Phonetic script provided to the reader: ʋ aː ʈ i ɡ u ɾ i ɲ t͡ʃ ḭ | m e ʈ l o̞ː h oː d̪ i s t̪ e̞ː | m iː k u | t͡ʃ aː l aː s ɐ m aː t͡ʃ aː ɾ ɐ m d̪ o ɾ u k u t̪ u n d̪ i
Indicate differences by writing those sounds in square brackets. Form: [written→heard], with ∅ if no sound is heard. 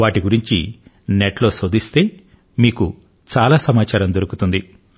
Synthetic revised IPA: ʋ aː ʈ i ɡ u ɾ i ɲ t͡ʃ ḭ | [m→n] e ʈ l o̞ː [h→s] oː d̪ i s t̪ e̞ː | m iː k u | t͡ʃ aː l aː s ɐ m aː t͡ʃ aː ɾ ɐ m d̪ o ɾ u k u t̪ u n d̪ i